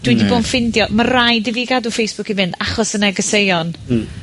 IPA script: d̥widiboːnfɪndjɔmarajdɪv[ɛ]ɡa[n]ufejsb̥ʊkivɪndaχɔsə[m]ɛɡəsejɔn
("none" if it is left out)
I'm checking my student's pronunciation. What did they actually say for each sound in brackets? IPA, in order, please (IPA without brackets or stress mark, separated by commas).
i, d, n